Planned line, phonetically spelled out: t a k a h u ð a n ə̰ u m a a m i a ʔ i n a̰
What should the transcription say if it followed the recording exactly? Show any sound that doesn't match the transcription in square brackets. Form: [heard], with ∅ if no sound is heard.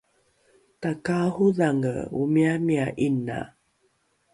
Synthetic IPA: t a k a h u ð a [ŋ] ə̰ u m [i] a m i a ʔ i n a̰